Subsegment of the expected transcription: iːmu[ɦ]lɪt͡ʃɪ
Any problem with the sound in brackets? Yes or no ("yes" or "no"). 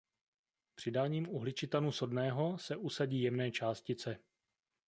no